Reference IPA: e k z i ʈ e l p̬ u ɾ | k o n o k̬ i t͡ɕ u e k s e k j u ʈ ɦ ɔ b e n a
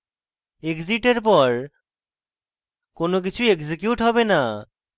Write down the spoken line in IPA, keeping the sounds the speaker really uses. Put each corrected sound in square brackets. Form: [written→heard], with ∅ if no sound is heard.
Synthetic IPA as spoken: e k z i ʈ e [l→ɾ] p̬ [u→ɔ] ɾ | k o n o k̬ i [t͡ɕ→t͡ɕʰ] u e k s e k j u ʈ ɦ ɔ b e n a